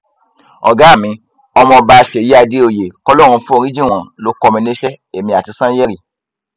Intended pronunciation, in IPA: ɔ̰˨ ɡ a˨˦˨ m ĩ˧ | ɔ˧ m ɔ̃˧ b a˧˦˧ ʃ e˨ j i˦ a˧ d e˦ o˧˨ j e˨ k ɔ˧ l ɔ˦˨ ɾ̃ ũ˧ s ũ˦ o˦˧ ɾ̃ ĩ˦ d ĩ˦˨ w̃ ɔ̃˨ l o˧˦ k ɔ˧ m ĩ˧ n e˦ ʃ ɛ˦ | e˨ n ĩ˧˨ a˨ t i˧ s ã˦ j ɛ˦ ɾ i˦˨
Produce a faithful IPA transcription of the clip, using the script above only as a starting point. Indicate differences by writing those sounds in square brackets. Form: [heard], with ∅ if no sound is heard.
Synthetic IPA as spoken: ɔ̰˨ ɡ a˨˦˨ m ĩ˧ | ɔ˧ m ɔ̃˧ b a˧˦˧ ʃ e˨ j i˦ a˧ d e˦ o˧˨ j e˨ k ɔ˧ l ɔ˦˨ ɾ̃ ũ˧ [f] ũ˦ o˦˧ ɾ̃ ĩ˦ [d͡ʒ] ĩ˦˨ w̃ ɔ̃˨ l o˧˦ k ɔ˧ m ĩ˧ n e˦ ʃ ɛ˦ | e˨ [m] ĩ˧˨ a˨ t i˧ s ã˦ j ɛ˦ ɾ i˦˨